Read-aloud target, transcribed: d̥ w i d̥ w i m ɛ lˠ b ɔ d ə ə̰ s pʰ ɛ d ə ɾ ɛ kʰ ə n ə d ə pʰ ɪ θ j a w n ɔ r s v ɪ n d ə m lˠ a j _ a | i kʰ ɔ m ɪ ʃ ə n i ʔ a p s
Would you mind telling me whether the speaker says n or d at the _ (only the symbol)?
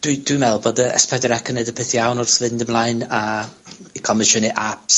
n